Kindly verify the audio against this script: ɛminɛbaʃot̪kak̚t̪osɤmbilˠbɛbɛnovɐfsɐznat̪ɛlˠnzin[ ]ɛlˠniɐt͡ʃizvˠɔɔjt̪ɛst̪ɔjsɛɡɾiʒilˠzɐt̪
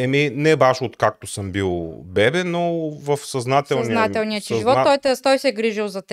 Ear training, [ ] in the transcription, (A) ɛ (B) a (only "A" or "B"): B